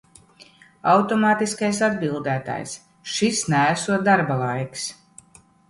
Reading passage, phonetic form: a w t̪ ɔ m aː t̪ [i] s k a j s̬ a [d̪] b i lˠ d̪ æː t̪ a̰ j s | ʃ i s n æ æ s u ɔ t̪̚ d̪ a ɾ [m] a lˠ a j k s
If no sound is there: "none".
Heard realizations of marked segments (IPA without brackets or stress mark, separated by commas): i, d̪, b